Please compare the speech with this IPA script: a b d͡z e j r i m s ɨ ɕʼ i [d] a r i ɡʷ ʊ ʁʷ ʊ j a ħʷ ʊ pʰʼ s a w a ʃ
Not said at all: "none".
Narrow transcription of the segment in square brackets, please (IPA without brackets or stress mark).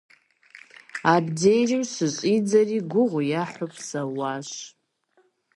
d͡z